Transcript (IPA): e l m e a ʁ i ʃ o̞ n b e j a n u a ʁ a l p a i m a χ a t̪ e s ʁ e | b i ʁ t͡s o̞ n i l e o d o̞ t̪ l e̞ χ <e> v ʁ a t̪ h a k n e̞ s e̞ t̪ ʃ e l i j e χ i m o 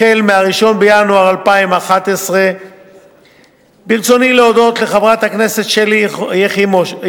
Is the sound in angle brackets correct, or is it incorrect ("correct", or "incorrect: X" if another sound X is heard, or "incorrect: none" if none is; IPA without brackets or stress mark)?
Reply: incorrect: a